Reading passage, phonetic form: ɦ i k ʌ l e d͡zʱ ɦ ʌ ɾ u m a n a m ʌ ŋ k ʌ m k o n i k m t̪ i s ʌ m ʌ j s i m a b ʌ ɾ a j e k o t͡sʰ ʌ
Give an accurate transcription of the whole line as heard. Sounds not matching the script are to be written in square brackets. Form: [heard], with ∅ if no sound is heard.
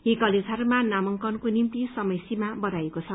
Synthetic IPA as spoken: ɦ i k ʌ l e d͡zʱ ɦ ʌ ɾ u m a n a m ʌ ŋ k ʌ [n] k o n i [∅] m t̪ i s ʌ m ʌ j s i m a b ʌ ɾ a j e k o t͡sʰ ʌ